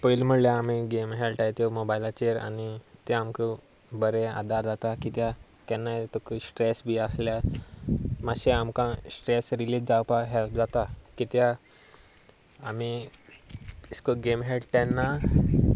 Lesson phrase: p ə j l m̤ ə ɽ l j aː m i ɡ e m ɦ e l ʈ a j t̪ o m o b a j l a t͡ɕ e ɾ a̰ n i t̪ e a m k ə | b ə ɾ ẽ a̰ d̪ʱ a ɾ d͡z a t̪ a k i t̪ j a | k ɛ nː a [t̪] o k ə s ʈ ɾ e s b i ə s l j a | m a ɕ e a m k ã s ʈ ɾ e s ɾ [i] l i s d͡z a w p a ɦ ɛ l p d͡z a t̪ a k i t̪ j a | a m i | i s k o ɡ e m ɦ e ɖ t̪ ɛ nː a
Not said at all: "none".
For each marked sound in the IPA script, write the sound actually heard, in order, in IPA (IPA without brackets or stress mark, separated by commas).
t̪, i